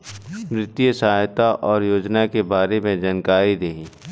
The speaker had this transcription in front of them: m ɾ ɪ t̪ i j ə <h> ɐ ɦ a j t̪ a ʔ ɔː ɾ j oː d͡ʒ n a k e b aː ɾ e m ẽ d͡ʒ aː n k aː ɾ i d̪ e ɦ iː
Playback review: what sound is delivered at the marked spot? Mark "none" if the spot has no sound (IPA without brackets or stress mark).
s